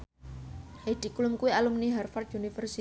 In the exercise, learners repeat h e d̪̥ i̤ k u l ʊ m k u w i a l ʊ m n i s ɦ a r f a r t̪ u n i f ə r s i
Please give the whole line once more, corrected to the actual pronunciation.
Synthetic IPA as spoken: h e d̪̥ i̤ k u l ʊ m k u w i a l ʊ m n i ɦ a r f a r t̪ u n i f ə r s i